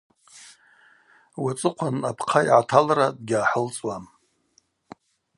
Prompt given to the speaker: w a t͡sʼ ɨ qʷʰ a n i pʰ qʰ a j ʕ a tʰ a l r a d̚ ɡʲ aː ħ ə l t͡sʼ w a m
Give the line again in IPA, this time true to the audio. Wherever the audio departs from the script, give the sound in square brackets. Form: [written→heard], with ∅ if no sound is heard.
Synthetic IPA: w a t͡sʼ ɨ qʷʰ a n [i→a] pʰ qʰ a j ʕ a tʰ a l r a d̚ ɡʲ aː ħ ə l t͡sʼ w a m